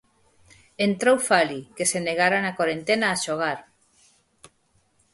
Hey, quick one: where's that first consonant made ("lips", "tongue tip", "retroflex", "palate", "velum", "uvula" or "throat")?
tongue tip